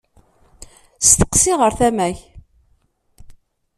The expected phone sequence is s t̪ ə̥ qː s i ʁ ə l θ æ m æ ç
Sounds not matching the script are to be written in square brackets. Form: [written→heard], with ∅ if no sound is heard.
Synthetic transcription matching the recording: s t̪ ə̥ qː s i ʁ ə [l→ɾ] θ æ m æ ç